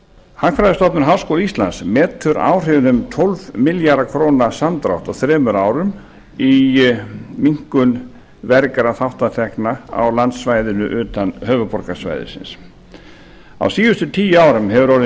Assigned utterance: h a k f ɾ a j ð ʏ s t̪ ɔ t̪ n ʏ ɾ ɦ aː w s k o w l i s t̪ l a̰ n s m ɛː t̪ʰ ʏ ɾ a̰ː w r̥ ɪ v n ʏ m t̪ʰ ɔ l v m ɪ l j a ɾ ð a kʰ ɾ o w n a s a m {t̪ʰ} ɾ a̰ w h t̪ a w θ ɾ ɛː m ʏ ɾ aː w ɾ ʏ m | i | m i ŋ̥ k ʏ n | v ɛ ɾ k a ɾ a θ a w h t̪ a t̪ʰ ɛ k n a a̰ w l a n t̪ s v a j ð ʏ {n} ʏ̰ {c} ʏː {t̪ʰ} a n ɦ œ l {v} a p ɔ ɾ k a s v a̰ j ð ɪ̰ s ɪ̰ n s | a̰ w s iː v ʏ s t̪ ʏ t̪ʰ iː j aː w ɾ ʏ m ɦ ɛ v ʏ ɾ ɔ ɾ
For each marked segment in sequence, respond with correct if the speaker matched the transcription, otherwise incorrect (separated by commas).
incorrect, correct, incorrect, incorrect, correct